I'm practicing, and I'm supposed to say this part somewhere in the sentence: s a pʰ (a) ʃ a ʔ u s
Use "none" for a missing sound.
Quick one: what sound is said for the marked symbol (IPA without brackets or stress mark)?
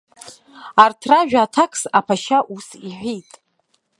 a